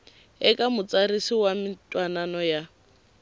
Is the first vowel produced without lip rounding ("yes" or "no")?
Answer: yes